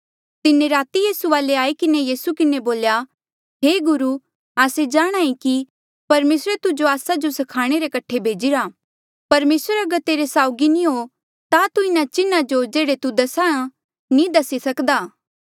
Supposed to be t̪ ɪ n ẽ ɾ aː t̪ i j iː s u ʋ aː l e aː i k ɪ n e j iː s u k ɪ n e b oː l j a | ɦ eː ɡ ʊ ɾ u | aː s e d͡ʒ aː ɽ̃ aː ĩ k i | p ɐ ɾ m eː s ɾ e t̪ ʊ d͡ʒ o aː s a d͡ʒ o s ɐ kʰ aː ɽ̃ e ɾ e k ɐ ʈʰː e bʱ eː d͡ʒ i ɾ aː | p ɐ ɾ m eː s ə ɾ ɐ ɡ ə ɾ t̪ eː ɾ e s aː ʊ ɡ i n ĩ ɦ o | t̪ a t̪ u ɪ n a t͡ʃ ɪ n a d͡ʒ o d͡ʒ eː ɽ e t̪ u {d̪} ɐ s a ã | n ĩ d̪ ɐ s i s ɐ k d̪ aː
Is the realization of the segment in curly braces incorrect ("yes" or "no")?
no